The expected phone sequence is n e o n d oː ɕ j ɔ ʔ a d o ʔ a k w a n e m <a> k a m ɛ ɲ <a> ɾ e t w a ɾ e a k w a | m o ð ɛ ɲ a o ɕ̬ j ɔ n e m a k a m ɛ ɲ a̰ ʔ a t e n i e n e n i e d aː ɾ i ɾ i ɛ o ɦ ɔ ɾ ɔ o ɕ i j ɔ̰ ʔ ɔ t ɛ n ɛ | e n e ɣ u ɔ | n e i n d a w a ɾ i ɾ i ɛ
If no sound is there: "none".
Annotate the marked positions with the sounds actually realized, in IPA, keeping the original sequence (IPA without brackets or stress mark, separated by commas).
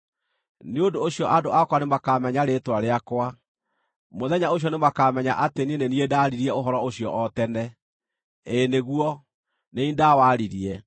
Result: a, a